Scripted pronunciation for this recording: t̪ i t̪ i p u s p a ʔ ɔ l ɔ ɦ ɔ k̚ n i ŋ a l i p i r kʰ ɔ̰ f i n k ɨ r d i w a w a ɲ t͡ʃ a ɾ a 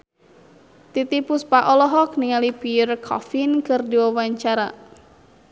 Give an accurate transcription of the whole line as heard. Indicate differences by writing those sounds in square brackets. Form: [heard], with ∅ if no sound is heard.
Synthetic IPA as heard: t̪ i t̪ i p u s p a ʔ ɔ l ɔ ɦ ɔ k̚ n i ŋ a l i p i r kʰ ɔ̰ f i n k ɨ r d i w a w a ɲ t͡ʃ a ɾ a